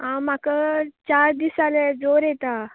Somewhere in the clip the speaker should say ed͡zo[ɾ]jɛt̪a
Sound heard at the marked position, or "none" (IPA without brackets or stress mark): ɾ